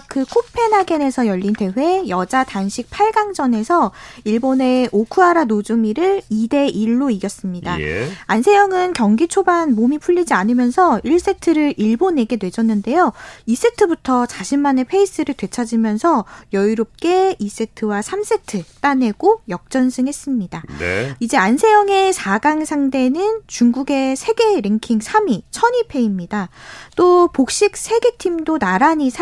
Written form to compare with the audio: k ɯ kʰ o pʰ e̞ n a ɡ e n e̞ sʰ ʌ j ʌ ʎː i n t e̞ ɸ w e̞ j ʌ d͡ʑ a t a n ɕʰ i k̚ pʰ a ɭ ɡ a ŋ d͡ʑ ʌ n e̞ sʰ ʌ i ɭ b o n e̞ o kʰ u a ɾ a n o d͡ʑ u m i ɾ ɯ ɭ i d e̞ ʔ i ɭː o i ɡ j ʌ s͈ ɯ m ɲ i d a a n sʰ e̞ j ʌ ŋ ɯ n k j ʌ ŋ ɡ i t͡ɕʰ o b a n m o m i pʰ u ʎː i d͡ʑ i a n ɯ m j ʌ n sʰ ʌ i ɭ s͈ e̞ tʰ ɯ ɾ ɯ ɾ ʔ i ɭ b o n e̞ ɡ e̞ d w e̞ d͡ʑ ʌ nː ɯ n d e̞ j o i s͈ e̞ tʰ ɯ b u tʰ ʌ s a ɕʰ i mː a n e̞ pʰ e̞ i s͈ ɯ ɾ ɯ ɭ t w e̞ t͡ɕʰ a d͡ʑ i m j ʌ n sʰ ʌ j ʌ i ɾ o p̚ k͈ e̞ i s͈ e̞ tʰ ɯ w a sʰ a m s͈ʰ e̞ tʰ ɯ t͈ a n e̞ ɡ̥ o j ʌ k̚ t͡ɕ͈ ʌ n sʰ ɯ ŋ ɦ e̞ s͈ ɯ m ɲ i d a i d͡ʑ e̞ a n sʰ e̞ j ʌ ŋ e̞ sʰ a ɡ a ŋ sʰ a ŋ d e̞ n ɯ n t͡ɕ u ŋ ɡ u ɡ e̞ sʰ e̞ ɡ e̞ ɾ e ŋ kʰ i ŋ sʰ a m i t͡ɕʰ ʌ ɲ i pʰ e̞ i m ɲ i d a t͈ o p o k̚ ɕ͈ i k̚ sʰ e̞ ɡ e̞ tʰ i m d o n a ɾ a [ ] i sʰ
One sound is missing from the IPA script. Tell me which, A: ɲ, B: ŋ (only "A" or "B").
A